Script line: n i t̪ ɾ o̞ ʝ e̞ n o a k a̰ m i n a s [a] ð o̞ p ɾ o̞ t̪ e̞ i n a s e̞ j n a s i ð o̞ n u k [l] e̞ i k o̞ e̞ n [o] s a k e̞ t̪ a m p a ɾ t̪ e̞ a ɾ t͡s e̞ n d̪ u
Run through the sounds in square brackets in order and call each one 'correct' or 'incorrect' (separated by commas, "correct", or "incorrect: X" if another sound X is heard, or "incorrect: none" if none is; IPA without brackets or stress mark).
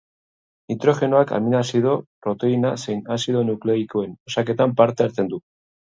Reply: incorrect: i, correct, correct